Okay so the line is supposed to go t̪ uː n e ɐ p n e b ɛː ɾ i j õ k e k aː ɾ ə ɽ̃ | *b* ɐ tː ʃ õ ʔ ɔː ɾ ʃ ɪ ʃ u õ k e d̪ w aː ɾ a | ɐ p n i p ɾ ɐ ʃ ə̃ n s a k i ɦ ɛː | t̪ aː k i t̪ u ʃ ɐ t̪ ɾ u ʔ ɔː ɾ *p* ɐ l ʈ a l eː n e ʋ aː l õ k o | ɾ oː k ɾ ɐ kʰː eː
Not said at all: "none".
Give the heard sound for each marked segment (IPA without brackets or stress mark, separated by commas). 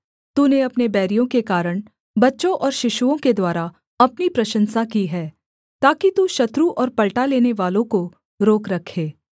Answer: b, p